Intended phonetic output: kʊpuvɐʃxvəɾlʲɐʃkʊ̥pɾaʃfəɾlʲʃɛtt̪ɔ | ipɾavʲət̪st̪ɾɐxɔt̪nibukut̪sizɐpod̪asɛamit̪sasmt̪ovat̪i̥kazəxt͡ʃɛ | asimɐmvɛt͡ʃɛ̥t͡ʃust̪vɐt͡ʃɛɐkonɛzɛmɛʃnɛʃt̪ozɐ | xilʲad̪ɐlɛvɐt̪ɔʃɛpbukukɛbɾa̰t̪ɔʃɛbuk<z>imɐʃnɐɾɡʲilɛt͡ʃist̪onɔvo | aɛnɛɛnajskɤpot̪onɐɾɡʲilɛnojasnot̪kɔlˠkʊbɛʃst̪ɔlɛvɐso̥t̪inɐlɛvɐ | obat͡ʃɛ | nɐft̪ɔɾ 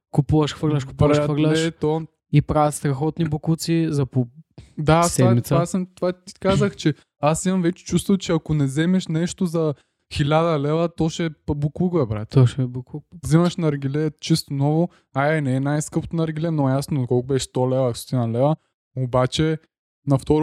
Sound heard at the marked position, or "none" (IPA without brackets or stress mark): z